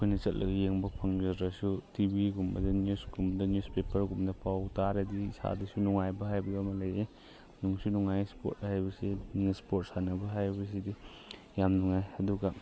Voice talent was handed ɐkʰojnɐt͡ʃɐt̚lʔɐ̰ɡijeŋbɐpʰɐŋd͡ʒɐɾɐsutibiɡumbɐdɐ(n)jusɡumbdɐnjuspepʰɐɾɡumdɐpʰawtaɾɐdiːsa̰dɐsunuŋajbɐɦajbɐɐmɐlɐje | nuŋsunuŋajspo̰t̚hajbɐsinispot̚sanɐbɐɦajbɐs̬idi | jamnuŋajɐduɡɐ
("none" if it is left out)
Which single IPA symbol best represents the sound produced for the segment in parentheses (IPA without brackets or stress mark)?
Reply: n